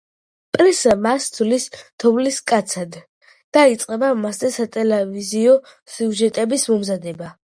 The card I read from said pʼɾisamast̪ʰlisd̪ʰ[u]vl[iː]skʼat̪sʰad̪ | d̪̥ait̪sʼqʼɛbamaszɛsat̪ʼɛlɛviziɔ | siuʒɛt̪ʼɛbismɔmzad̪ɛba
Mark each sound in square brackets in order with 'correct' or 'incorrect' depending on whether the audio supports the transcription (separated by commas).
incorrect, incorrect